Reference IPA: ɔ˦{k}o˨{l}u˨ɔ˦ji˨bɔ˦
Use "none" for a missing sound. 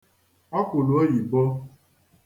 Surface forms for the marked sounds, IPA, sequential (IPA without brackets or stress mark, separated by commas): k, l